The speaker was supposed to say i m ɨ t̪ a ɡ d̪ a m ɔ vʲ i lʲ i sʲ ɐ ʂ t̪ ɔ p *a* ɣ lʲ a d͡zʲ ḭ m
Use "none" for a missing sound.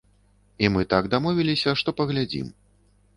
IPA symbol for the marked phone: ɐ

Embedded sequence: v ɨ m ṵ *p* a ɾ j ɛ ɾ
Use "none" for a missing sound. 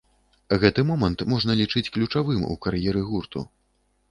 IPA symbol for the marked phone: k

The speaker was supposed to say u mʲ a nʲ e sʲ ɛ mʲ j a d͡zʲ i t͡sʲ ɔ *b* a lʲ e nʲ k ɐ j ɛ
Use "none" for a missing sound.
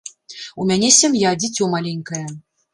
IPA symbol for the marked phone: m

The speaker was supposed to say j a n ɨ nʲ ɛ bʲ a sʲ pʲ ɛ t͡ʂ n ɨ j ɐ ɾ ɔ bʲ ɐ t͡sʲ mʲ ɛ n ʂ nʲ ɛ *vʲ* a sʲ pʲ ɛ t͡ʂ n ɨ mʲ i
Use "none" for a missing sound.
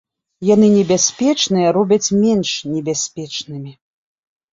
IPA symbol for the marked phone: bʲ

